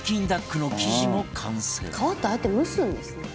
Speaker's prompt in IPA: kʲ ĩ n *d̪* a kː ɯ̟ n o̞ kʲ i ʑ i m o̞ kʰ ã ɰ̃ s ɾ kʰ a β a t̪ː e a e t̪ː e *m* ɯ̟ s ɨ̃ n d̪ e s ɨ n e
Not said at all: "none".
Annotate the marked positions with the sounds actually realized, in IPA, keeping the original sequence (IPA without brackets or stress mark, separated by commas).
d̪, m